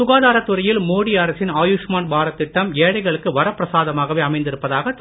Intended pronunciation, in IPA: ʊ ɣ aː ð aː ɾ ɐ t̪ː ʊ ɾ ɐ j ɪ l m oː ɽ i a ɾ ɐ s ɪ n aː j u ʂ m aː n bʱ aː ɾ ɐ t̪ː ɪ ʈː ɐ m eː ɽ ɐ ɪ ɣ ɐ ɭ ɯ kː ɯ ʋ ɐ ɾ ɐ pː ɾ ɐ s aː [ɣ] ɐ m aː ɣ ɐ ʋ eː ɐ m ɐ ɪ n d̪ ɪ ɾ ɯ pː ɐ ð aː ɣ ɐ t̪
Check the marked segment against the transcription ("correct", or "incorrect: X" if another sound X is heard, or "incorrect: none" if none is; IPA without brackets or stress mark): incorrect: ð